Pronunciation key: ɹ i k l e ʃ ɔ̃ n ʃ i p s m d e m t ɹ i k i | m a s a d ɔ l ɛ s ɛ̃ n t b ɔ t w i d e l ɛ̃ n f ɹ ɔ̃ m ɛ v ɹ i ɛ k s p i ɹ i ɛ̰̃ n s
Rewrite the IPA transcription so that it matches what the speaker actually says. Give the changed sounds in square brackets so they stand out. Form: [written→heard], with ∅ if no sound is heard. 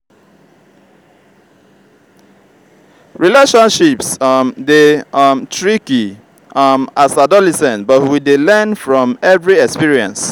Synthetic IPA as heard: ɹ i [k→∅] l e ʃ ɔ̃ n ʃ i p s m d e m t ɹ i k i | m a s a d ɔ l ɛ s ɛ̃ n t b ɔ t w i d e l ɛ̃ n f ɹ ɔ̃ m ɛ v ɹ i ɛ k s p i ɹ i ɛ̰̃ n s